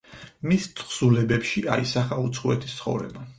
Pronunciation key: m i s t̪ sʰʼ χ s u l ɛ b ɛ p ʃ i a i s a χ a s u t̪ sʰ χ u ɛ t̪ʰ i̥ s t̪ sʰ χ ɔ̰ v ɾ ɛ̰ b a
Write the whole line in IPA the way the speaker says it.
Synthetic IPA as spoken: m i s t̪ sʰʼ χ s u l ɛ b ɛ p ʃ i a i s a χ a u t̪ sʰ χ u ɛ t̪ʰ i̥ s t̪ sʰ χ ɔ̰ v ɾ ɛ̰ b a